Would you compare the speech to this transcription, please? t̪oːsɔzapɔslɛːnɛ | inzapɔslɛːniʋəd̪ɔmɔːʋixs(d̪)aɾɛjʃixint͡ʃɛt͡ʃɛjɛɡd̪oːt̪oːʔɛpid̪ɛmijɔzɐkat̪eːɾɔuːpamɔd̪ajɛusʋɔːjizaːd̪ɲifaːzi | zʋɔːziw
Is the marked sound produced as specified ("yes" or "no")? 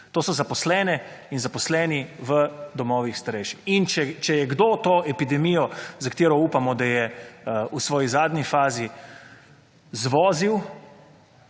no